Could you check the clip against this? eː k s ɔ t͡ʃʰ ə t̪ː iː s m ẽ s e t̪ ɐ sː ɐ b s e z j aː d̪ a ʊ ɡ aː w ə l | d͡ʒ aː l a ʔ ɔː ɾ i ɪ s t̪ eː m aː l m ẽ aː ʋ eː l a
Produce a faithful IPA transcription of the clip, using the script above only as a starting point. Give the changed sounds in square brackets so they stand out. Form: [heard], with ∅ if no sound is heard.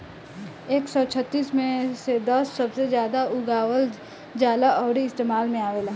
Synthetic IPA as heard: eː k s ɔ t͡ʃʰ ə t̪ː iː s m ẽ s e [d̪] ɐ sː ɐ b s e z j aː d̪ a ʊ ɡ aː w ə l | d͡ʒ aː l a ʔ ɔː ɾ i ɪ s t̪ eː m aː l m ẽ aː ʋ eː l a